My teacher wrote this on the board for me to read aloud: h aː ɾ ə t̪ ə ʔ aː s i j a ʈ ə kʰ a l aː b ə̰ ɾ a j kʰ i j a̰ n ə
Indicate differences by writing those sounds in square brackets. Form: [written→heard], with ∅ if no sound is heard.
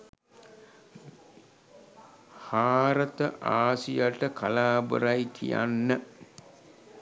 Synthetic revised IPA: h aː ɾ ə t̪ ə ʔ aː s i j a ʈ ə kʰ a l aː b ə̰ ɾ a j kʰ i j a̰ [n→nː] ə

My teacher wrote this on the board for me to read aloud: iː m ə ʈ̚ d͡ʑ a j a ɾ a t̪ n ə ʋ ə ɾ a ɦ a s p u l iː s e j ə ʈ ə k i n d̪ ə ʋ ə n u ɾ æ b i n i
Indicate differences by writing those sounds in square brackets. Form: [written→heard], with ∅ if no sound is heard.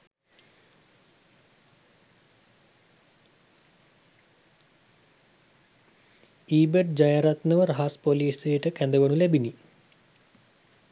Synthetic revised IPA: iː [m→b] ə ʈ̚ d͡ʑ a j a ɾ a t̪ n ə ʋ ə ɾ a ɦ a s p [u→o] l iː s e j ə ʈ ə k [i→æ] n d̪ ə ʋ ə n u [ɾ→l] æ b i n i

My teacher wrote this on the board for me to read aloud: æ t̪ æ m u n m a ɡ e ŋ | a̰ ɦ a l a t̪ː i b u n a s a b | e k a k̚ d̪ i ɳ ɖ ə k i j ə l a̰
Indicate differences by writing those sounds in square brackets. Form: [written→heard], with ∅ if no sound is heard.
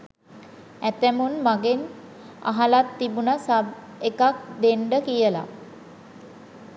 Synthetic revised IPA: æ t̪ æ m u n m a ɡ e [ŋ→n] | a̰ ɦ a l a t̪ː i b u n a s a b | e k a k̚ d̪ [i→e] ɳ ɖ ə k i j ə l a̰

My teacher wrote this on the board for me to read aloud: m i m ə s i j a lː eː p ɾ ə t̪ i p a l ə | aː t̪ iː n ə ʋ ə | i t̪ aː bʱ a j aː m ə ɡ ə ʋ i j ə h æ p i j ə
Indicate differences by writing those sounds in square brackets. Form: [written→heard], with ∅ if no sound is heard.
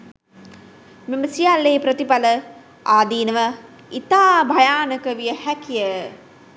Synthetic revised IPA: m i m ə s i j a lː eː p ɾ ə t̪ i p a l ə | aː [t̪→d̪] iː n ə ʋ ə | i t̪ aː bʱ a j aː [m→n] ə [ɡ→k] ə ʋ i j ə h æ [p→k] i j ə

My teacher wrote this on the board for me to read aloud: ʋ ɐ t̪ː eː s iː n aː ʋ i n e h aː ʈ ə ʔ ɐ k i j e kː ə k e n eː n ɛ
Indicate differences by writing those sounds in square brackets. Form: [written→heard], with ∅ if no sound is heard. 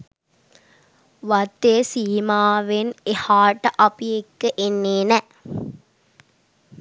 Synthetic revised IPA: ʋ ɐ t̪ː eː s iː [n→m] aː ʋ [i→e] n e h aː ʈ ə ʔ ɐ [k→p] i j e kː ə [k→ʔ] e [n→nː] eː n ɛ

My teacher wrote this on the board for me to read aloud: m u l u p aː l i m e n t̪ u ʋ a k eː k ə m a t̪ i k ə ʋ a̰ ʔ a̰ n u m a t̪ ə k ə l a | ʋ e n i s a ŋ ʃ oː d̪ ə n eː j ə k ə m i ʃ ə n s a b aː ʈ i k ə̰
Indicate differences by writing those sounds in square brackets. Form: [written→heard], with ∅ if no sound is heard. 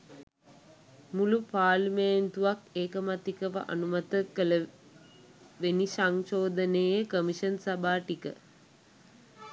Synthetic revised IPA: m u l u p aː l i m e n t̪ u ʋ a k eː k ə m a t̪ i k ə ʋ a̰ ʔ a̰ n u m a t̪ ə k ə l [a→ə] | ʋ e n i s a ŋ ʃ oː d̪ ə n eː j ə k ə m i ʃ ə n s a b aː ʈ i k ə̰

